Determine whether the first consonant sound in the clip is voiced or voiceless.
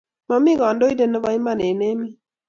voiced